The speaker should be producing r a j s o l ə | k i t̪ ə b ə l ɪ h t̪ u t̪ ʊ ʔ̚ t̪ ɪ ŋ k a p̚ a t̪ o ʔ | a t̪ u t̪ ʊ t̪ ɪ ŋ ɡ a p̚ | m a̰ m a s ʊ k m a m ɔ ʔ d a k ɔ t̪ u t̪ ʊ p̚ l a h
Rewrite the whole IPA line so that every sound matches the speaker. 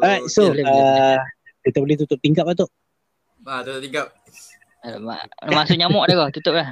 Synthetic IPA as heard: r a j s o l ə | k i t̪ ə b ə l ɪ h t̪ u t̪ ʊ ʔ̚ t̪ i ŋ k a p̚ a t̪ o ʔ | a t̪ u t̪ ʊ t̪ i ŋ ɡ a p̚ | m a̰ m a s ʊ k ɲ a m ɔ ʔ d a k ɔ t̪ u t̪ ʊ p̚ l a h